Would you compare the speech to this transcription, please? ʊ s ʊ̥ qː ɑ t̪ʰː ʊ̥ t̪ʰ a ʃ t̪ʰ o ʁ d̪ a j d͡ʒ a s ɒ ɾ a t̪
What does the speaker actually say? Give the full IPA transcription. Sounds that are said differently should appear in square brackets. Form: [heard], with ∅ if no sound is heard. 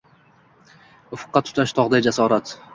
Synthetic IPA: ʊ [f] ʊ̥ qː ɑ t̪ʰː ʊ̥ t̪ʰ a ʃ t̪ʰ [ɒ] ʁ d̪ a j d͡ʒ a s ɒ ɾ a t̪